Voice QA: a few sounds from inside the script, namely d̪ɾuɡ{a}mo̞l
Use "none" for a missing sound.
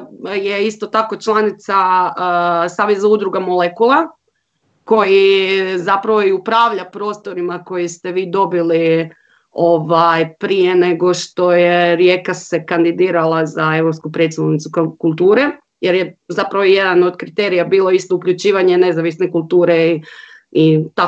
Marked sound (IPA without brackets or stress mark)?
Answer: a